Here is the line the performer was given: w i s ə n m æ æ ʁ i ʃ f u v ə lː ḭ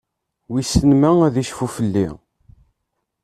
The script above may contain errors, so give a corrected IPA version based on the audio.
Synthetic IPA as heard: w i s ə n m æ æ ð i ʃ f u f ə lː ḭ

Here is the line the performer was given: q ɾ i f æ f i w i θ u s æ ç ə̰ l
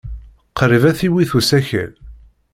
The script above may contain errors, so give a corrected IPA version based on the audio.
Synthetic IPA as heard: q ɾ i v æ θ i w i θ u s æ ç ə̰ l

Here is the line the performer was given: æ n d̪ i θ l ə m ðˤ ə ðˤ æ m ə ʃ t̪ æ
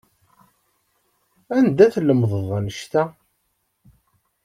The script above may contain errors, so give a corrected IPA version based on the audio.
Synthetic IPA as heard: æ n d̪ æ θ l ə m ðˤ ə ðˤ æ n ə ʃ t̪ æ

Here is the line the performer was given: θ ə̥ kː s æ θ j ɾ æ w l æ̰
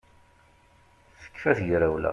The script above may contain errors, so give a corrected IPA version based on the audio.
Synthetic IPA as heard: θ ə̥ kː f æ θ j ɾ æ w l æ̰

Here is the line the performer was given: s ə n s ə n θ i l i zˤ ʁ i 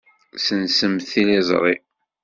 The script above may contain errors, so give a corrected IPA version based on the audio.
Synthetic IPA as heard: s ə n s ə m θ i l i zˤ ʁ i

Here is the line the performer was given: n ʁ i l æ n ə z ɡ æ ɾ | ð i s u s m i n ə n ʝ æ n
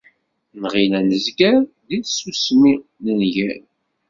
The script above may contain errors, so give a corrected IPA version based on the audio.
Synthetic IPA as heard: n ʁ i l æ n ə z ɡ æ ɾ | ð i s u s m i n ə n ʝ æ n

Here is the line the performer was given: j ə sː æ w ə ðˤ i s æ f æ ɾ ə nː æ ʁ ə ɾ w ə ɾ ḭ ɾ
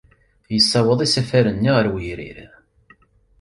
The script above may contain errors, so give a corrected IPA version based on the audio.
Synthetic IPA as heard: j ə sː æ w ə ðˤ i s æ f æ ɾ ə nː i ʁ ə ɾ w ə ɾ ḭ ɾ

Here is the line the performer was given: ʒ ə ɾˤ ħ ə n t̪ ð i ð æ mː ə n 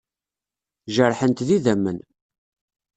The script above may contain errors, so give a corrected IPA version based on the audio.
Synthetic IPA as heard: ʒ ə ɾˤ ħ ə n t̪ ð i ð æ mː ə n

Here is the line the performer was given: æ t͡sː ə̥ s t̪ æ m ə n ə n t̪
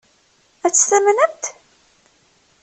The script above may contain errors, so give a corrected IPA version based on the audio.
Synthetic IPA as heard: æ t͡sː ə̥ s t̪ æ m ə n ə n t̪

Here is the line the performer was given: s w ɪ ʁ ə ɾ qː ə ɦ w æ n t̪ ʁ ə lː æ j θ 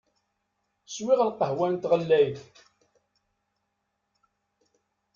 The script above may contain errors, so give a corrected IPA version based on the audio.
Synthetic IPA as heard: s w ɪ ʁ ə l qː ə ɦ w æ n t̪ ʁ ə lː æ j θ

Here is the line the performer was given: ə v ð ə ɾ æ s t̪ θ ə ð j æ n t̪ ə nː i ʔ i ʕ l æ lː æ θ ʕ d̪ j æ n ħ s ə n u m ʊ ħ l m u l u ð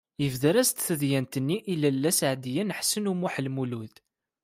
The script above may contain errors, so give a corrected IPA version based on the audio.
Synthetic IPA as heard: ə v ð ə ɾ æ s t̪ θ ə ð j æ n t̪ ə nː i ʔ i l æ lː æ s ʕ d̪ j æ n ħ s ə n u m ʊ ħ l m u l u ð

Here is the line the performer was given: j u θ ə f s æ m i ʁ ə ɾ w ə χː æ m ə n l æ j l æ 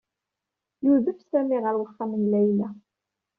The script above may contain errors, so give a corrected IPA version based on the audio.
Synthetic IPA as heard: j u ð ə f s æ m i ʁ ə ɾ w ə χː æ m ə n l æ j l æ

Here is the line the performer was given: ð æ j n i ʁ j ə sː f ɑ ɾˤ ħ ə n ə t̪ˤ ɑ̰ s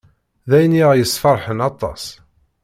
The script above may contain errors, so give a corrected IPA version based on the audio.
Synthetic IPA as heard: ð æ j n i ʁ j ə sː f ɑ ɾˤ ħ ə n ɑ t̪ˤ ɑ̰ s

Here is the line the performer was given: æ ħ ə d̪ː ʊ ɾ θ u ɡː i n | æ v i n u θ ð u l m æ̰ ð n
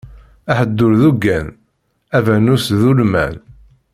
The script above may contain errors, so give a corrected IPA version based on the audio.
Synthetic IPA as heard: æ ħ ə d̪ː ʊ ɾ ð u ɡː æ n | æ v æ n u s ð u l m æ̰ n

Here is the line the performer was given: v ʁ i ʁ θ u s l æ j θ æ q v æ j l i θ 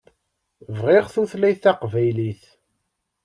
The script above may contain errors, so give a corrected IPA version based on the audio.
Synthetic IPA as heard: v ʁ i ʁ θ u θ l æ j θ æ q v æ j l i θ

